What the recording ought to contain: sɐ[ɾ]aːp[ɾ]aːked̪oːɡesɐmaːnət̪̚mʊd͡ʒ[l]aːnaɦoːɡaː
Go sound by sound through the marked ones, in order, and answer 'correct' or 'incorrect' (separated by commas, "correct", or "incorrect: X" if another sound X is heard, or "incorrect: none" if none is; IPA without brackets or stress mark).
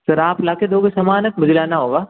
correct, incorrect: l, correct